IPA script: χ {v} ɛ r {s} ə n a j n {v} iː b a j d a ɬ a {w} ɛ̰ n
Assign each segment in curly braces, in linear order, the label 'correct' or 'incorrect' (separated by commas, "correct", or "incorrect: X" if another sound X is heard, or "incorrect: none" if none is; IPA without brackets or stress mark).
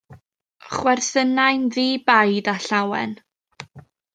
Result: incorrect: w, incorrect: θ, incorrect: ð, correct